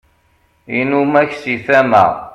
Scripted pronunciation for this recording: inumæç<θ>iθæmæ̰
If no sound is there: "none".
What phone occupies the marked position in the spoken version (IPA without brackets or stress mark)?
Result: s